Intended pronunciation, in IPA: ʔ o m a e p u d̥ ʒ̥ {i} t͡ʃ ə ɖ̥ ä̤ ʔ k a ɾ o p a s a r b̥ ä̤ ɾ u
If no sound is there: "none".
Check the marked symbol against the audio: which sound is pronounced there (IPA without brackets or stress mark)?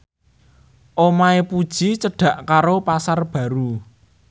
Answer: i